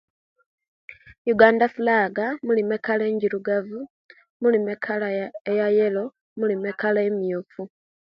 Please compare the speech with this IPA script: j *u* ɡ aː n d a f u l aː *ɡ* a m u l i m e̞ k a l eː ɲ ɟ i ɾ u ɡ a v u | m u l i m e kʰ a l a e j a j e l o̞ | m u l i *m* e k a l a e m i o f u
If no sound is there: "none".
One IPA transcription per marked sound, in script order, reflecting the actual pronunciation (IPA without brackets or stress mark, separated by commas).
u, ɡ, m